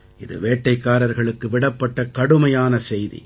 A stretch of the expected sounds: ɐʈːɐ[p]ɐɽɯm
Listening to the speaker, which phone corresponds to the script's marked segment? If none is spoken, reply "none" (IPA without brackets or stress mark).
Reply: k